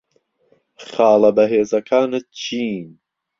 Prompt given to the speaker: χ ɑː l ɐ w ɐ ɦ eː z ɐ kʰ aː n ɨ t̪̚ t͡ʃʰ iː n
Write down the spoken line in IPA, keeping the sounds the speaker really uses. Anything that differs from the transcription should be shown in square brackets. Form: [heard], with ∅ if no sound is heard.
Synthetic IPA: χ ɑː l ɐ [b] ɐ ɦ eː z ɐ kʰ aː n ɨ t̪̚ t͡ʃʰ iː n